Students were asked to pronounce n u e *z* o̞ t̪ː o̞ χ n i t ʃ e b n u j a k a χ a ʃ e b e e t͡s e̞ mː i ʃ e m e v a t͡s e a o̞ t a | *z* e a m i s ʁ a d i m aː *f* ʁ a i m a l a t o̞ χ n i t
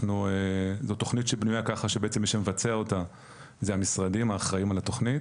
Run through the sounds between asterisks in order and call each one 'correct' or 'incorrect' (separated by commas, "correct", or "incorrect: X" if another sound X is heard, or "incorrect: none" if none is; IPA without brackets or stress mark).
correct, correct, incorrect: χ